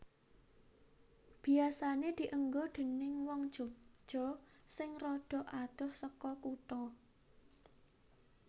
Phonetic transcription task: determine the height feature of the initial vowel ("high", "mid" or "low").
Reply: high